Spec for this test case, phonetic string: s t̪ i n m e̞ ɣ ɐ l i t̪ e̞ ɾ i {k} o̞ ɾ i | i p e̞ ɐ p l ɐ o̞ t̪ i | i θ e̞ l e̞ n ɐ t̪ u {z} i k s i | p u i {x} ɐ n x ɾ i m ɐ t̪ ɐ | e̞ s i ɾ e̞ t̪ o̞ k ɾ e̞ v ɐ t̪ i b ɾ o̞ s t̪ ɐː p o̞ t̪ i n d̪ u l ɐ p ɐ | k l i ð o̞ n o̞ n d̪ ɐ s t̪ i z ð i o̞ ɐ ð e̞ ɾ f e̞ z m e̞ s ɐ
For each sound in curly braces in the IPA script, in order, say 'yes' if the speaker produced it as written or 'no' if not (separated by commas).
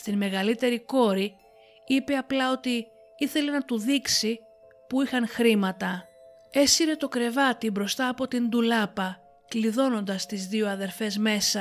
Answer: yes, no, yes